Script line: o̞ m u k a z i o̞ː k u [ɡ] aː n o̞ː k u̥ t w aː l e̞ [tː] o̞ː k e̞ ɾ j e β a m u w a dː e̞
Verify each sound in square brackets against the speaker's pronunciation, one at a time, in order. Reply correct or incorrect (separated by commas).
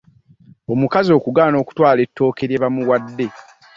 correct, correct